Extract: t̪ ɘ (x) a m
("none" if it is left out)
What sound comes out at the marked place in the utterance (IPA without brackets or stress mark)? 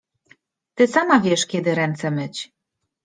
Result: s